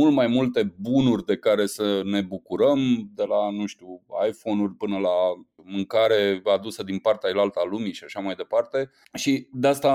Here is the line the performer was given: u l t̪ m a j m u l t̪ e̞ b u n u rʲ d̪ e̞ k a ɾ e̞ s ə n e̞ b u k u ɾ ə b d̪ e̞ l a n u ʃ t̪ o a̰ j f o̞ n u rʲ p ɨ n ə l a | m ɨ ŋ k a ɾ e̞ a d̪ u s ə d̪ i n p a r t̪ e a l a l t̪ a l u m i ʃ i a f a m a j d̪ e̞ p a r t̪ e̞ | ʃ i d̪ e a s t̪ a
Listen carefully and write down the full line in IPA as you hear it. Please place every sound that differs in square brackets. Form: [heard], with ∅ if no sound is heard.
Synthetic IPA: u l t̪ m a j m u l t̪ e̞ b u n u rʲ d̪ e̞ k a ɾ e̞ s ə n e̞ b u k u ɾ ə [m] d̪ e̞ l a n u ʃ t̪ [u] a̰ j f o̞ n u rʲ p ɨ n ə l a | m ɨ ŋ k a ɾ e̞ a d̪ u s ə d̪ i n p a r t̪ e a l a l t̪ a l u m i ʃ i a [ʃ] a m a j d̪ e̞ p a r t̪ e̞ | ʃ i d̪ e a s t̪ a